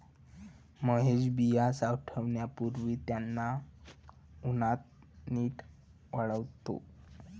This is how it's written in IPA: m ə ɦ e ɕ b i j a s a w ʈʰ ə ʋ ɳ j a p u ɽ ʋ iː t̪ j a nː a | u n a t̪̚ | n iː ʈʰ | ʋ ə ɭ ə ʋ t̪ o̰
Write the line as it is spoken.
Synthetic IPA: m ə ɦ e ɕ b i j a s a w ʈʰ ə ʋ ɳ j a p u ɾ ʋ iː t̪ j a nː a | u n a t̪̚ | n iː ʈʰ | ʋ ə ɭ ə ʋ t̪ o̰